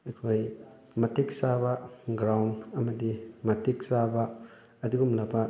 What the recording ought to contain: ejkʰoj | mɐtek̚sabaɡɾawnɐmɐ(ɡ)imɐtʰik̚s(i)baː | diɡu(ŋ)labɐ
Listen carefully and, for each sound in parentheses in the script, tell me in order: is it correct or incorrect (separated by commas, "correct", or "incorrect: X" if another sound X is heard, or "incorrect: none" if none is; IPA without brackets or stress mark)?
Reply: incorrect: d, incorrect: a, incorrect: m